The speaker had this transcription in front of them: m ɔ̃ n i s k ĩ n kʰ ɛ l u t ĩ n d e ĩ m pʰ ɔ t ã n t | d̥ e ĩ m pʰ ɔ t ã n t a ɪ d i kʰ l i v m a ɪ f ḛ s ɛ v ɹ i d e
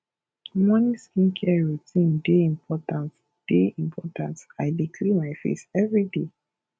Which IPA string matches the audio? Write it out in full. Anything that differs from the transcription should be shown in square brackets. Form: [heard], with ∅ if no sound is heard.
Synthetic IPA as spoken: m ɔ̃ n i s k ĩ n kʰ ɛ [ɹ] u t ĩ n d e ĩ m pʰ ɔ t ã n t | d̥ e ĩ m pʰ ɔ t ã n t a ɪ d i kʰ l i [∅] m a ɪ f ḛ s ɛ v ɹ i d e